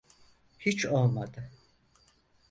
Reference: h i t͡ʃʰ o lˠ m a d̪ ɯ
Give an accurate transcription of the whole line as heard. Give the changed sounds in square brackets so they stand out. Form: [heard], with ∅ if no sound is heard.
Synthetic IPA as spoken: h i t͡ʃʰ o lˠ m a d̪ ɯ